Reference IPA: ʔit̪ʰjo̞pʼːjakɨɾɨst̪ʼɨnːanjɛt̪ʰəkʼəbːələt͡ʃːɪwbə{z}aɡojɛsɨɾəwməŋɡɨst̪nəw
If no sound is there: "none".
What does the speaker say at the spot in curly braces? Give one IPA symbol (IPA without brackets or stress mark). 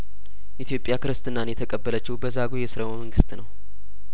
z